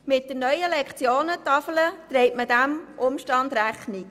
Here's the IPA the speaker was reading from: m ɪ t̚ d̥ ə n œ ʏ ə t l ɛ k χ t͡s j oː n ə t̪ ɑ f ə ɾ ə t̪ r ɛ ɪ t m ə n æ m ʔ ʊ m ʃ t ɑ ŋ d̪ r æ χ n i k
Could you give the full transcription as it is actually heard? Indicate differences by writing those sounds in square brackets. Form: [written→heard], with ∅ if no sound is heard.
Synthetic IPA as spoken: m ɪ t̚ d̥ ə n œ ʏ ə [t→∅] l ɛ k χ t͡s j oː n ə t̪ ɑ f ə [ɾ→l] ə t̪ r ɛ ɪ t m ə [n→d] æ m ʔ ʊ m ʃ t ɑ [ŋ→n] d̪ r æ χ n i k